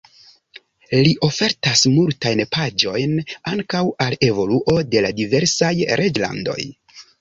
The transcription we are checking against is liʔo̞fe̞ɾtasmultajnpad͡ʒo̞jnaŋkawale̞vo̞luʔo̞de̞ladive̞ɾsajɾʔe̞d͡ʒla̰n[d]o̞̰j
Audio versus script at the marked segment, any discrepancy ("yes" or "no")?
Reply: no